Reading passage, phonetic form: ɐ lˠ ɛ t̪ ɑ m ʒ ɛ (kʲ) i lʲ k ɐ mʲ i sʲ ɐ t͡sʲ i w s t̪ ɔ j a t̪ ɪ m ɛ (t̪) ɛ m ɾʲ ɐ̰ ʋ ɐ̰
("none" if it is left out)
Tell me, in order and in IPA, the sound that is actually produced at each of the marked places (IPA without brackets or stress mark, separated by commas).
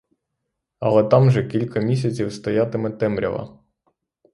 kʲ, t̪